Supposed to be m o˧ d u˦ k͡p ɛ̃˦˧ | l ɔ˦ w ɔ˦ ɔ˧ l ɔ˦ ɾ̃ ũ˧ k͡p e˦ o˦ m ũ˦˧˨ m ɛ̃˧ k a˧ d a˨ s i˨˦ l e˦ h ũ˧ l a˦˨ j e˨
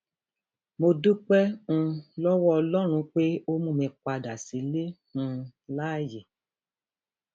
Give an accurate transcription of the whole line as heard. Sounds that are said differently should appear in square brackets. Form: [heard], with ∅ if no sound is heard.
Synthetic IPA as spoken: m o˧ d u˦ k͡p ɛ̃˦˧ | l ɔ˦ w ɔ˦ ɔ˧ l ɔ˦ ɾ̃ ũ˧ k͡p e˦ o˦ m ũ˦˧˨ m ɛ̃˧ [k͡p] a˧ d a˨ s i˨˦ l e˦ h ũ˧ l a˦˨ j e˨